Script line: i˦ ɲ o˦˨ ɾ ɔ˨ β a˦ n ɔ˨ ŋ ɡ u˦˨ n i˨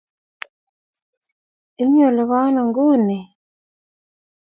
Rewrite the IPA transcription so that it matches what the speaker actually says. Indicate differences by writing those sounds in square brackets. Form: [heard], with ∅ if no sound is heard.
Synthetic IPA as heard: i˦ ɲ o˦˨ [l] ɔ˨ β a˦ n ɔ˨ ŋ ɡ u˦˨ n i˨